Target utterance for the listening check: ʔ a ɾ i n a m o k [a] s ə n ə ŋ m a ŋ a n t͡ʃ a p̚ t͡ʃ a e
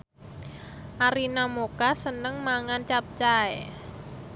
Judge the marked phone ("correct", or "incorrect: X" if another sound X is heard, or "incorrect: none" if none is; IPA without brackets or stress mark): correct